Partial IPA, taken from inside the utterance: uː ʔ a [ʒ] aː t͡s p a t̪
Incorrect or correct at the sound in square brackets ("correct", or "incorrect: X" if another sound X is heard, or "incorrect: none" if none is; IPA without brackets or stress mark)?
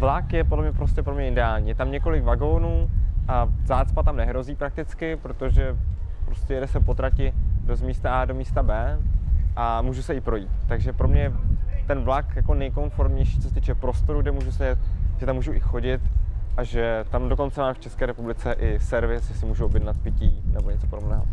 incorrect: z